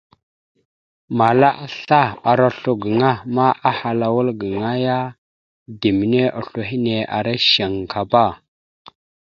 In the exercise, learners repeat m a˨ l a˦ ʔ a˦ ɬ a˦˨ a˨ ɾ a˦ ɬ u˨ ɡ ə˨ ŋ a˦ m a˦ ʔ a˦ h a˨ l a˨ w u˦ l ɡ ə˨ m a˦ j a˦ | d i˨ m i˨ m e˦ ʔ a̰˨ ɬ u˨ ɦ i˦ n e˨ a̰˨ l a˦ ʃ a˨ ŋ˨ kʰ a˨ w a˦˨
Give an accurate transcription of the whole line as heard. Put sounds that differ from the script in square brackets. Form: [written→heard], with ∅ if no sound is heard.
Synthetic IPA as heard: m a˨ l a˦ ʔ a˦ ɬ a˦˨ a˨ ɾ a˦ ɬ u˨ ɡ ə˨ ŋ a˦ m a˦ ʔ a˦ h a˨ l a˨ w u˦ l ɡ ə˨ [m→ŋ] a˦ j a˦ | d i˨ m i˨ [m→n] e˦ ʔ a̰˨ ɬ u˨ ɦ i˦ n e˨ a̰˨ [l→ɾ] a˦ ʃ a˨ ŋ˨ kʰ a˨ [w→b] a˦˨